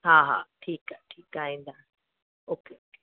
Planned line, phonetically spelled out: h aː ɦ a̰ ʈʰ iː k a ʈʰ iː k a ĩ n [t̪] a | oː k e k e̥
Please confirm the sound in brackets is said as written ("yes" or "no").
no